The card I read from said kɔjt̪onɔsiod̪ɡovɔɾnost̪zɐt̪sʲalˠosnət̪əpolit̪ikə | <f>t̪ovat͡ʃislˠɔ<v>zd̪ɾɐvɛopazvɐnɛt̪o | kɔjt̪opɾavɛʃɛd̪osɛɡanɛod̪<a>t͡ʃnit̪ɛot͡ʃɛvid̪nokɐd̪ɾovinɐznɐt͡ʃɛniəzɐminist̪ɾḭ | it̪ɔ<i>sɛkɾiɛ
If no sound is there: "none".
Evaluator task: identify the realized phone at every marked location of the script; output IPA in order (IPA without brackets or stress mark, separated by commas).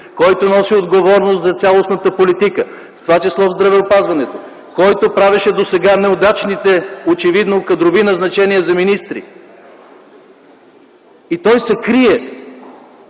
f, v, a, j